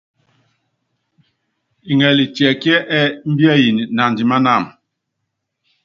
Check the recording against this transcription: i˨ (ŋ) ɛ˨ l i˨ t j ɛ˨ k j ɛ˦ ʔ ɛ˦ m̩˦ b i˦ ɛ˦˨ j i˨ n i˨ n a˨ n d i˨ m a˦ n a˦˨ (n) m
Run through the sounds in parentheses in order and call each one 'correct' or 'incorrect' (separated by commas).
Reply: correct, incorrect